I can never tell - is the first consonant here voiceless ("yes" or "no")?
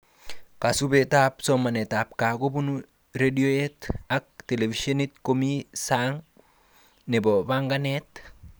yes